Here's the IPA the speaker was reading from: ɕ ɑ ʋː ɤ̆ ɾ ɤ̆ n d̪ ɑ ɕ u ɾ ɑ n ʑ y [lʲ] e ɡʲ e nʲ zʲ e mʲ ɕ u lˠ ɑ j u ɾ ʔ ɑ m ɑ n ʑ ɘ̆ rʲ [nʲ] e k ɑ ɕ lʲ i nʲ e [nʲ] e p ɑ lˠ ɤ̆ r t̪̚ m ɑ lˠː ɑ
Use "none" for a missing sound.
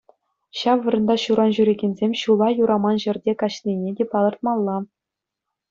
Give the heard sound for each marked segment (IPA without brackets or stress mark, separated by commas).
ɾʲ, dʲ, dʲ